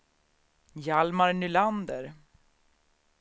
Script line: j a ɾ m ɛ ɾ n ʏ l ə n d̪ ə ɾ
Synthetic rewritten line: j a l m a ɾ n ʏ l a n d̪ ə ɾ